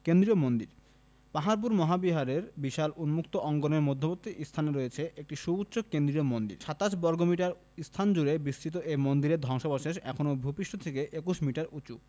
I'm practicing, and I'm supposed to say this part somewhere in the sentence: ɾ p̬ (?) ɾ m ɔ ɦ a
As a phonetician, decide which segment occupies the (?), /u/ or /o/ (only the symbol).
u